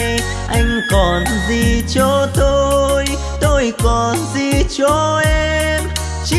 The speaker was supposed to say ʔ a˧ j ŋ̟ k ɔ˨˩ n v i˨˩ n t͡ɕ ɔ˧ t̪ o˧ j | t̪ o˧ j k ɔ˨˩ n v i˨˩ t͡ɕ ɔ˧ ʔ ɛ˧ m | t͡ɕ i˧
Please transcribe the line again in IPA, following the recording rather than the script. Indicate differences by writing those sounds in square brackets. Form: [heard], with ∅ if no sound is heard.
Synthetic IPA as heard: ʔ a˧ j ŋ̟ k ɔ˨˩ n [z] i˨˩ [∅] t͡ɕ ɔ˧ t̪ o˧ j | t̪ o˧ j k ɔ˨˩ n [z] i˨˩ t͡ɕ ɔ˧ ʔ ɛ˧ m | t͡ɕ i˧

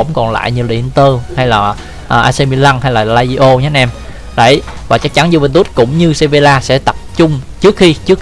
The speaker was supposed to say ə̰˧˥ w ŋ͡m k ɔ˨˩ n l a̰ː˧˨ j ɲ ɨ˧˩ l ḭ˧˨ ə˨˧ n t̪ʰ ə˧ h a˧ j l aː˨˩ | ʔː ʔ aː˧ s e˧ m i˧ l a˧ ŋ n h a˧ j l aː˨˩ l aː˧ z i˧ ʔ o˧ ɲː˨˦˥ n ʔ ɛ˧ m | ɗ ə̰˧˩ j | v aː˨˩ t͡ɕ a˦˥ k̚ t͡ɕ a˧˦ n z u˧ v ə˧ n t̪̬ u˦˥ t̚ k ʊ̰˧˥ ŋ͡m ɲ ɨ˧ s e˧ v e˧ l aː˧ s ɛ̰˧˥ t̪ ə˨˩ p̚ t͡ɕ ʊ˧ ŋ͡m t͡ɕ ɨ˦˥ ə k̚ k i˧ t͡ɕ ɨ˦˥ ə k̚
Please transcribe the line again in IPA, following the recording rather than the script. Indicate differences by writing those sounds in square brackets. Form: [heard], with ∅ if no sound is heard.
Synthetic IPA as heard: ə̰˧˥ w ŋ͡m k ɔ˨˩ n l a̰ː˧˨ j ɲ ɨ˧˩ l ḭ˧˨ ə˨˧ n [t̪] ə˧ h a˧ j l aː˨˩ | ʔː ʔ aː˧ s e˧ m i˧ l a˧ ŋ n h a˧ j l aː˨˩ l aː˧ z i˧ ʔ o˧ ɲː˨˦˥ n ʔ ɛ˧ m | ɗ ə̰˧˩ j | v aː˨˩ t͡ɕ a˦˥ k̚ t͡ɕ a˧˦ n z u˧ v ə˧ n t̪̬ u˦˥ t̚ k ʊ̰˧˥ ŋ͡m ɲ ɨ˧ s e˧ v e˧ l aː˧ s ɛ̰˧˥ t̪ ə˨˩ p̚ t͡ɕ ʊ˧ ŋ͡m t͡ɕ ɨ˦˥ ə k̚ [x] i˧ t͡ɕ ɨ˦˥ ə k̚

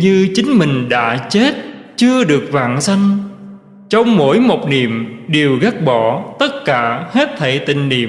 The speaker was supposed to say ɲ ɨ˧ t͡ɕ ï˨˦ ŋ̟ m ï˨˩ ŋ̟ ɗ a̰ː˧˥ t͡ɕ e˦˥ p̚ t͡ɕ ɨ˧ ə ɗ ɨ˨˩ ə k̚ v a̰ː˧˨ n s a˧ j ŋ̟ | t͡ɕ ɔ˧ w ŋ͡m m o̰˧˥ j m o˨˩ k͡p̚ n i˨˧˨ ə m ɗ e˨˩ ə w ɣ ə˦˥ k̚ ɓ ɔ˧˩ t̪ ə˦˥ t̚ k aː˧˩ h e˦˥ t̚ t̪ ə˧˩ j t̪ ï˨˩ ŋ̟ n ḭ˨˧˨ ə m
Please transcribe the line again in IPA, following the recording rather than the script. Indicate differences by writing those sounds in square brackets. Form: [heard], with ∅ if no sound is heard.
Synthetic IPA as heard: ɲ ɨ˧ t͡ɕ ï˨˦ ŋ̟ m ï˨˩ ŋ̟ ɗ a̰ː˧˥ t͡ɕ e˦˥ [t̚] t͡ɕ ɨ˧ ə ɗ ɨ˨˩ ə k̚ v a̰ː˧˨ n s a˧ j ŋ̟ | t͡ɕ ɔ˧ w ŋ͡m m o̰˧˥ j m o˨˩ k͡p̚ n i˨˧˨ ə m ɗ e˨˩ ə w ɣ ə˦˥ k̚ ɓ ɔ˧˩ t̪ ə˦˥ t̚ k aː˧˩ h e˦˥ t̚ [t̪ʰ] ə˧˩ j t̪ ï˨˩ ŋ̟ n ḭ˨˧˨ ə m

